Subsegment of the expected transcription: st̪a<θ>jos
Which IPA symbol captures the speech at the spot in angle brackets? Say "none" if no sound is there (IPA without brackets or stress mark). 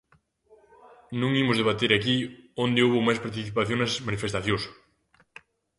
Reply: θ